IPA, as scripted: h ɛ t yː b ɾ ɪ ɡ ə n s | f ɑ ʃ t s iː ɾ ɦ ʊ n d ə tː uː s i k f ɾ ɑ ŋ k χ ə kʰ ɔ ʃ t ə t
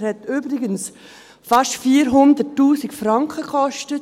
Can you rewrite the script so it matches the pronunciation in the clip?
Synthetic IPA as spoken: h ɛ t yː b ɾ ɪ ɡ ə n s | f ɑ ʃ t f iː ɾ ɦ ʊ n d ə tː uː s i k f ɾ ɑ ŋ k χ ə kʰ ɔ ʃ t ə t